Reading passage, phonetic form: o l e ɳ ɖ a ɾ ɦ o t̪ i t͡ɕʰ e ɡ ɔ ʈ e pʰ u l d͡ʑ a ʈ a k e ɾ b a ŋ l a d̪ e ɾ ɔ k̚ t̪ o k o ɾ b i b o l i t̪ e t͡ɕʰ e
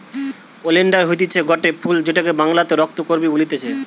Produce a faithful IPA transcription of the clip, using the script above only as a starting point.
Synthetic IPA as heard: o l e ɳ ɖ a ɾ ɦ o t̪ i t͡ɕʰ e ɡ ɔ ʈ e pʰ u l d͡ʑ e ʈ a k e b a ŋ l a t̪ e ɾ ɔ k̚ t̪ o k o ɾ b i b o l i t̪ e t͡ɕʰ e